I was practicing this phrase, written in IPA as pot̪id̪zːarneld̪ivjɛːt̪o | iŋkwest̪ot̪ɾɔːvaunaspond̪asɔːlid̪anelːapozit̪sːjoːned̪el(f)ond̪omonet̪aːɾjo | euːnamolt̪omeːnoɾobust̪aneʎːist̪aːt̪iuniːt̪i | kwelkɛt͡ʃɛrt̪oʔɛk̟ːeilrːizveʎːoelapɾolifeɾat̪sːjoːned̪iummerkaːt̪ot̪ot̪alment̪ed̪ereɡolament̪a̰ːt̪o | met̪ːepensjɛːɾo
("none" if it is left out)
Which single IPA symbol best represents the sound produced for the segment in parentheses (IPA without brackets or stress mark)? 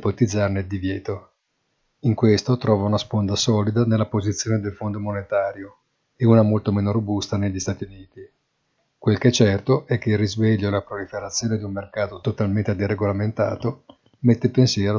f